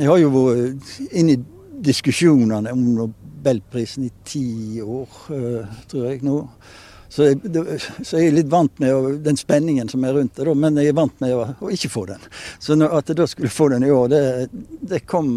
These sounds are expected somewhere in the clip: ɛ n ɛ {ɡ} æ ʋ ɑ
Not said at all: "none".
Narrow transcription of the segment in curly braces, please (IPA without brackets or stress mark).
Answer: ɡ